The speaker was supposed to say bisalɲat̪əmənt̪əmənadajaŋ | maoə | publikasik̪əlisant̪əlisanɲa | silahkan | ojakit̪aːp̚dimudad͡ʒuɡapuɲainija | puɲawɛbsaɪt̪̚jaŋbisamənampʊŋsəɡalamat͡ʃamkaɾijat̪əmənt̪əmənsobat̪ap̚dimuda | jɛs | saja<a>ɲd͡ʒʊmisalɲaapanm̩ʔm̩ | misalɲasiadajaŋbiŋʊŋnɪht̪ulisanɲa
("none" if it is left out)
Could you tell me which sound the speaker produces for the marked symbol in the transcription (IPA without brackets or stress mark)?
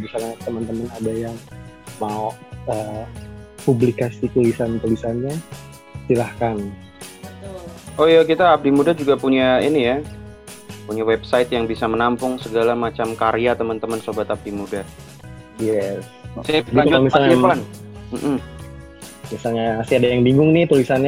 a